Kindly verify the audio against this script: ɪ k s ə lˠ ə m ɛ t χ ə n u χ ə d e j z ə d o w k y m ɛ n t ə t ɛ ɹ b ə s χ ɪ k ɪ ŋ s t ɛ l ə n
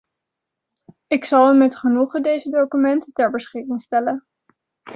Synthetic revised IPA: ɪ k s ɑ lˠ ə m ɛ t χ ə n u χ ə d e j z ə d o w k y m ɛ n t ə t ɛ ɹ b ə s χ ɪ k ɪ ŋ s t ɛ l ə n